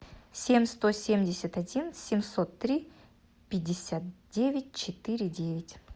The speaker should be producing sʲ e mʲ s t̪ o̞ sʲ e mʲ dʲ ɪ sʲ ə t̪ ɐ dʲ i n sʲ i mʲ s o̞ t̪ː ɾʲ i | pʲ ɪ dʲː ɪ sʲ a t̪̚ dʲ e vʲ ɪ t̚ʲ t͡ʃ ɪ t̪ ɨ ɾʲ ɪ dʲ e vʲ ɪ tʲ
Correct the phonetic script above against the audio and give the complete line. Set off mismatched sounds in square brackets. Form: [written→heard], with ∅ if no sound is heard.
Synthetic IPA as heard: sʲ e mʲ s t̪ o̞ sʲ e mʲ dʲ ɪ sʲ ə t̪ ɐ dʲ i n sʲ [i→ɪ] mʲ s o̞ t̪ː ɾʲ i | pʲ ɪ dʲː ɪ sʲ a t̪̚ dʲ e vʲ ɪ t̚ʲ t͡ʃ ɪ t̪ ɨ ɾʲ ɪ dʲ e vʲ ɪ tʲ